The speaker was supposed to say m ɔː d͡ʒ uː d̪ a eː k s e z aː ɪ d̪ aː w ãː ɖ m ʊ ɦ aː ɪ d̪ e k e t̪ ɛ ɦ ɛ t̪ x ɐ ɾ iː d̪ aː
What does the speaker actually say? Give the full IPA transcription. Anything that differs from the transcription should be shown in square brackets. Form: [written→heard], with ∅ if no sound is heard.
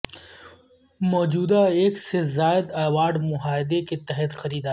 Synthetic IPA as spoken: m ɔː d͡ʒ uː d̪ a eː k s e z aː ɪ d̪ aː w [ãː→aː] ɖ m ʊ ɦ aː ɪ d̪ e k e t̪ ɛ ɦ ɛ t̪ x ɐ ɾ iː d̪ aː